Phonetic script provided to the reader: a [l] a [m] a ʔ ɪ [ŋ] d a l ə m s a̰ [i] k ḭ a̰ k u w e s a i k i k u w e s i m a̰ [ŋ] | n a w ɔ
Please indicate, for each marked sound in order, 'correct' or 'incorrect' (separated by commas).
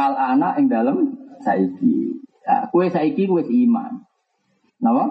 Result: correct, incorrect, correct, correct, incorrect